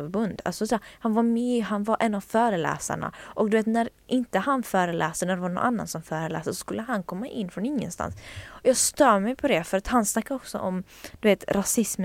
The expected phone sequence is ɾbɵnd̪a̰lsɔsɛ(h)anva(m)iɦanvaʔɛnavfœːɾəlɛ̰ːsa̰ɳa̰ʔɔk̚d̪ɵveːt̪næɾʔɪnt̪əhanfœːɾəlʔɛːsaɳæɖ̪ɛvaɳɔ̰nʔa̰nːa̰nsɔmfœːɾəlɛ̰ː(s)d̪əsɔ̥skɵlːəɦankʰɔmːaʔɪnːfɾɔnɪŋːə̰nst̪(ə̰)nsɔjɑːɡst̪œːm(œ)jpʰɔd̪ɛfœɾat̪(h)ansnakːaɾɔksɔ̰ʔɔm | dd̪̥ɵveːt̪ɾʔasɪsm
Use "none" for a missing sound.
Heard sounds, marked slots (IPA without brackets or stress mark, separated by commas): h, m, s, a̰, ɛ, h